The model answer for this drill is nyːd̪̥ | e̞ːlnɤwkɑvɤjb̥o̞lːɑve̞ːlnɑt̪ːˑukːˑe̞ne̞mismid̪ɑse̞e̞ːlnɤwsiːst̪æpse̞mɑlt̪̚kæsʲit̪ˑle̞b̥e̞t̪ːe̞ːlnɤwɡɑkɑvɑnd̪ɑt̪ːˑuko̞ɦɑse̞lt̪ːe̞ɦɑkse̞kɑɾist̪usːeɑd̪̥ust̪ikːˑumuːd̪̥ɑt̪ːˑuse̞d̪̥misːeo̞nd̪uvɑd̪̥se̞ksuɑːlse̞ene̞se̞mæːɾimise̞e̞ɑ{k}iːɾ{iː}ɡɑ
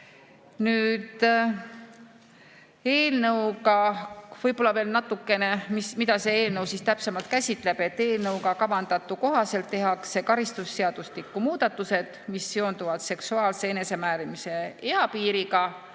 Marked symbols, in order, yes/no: no, no

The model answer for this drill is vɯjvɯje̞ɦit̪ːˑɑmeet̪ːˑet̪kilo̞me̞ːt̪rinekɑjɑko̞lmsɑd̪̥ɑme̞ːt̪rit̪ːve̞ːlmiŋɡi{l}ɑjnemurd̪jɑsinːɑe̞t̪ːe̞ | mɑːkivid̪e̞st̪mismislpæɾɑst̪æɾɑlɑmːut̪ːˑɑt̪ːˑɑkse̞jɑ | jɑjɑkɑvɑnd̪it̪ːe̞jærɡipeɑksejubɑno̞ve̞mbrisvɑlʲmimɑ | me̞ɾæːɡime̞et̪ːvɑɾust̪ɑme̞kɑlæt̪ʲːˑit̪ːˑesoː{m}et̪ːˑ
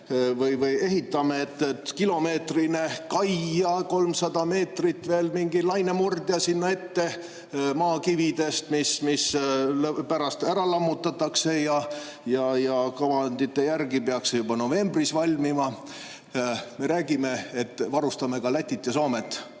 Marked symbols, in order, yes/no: yes, yes

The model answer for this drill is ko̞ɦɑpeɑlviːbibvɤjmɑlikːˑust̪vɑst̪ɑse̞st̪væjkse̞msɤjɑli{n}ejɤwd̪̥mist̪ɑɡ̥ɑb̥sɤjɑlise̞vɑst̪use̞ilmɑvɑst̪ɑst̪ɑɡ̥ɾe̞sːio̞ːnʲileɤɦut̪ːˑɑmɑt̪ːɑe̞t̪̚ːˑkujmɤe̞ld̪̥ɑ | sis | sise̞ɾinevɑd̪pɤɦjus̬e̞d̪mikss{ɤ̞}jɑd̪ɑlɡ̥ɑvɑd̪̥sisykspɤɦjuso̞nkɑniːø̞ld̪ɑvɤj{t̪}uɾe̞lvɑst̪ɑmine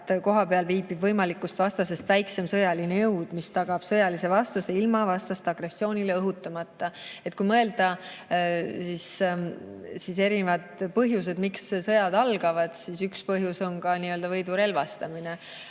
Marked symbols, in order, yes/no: yes, yes, no

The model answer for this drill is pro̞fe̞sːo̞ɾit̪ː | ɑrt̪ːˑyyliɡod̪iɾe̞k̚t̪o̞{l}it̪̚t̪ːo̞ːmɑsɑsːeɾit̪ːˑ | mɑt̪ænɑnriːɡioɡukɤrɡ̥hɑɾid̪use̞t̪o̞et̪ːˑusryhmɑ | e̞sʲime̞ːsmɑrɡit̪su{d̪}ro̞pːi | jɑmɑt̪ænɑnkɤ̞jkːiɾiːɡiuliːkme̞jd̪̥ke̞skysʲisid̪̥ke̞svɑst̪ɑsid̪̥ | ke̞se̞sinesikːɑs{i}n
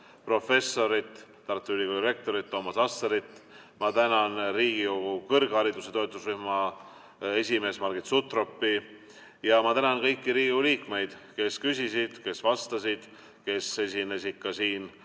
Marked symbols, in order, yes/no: no, no, no

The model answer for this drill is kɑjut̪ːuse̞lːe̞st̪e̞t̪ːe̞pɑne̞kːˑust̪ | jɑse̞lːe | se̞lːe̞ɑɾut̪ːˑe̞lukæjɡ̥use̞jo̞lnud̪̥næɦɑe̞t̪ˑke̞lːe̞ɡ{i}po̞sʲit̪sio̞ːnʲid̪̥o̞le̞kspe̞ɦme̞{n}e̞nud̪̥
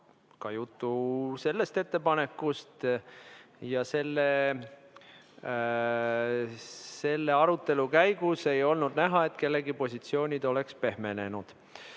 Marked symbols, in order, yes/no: yes, yes

